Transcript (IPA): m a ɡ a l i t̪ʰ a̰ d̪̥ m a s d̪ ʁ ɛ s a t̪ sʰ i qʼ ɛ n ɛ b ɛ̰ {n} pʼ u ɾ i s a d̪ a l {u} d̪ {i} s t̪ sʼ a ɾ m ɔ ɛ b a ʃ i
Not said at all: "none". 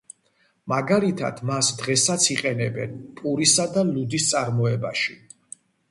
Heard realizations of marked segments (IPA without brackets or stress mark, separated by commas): n, u, i